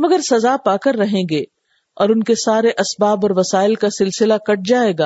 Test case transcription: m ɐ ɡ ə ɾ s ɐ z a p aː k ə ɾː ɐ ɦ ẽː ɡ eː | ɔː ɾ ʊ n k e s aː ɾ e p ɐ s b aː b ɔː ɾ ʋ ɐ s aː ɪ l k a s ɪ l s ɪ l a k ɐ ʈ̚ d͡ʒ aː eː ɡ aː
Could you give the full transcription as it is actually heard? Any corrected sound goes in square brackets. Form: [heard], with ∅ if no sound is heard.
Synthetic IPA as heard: m ɐ ɡ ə ɾ s ɐ z a p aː k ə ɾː ɐ ɦ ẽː ɡ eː | ɔː ɾ ʊ n k e s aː ɾ e [ʔ] ɐ s b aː b ɔː ɾ ʋ ɐ s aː ɪ l k a s ɪ l s ɪ l a k ɐ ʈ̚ d͡ʒ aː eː ɡ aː